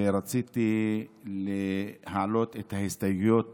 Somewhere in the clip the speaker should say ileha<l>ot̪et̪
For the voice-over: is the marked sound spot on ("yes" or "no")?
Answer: yes